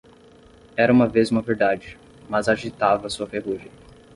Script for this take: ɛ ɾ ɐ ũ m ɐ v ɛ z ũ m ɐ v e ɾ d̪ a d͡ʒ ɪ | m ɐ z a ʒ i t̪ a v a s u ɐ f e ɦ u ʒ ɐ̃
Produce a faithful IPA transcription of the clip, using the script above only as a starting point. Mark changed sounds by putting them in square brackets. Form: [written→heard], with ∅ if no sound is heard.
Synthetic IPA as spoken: ɛ ɾ ɐ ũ m ɐ v [ɛ→e] z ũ m ɐ v e ɾ d̪ a d͡ʒ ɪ | m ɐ z a ʒ i t̪ a v [a→ɐ] s u ɐ f e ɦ u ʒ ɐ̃